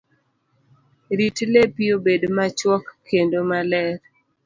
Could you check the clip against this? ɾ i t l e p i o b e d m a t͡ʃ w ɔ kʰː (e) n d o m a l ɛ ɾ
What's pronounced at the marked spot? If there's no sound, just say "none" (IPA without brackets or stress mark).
e